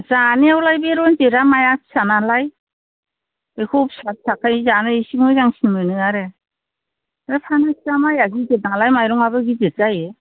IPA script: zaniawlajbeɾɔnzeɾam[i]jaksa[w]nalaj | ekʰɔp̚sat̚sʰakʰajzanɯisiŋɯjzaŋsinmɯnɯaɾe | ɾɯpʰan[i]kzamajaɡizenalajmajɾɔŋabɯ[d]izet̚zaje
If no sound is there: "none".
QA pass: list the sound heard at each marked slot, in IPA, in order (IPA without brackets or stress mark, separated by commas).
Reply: a, none, a, ɡ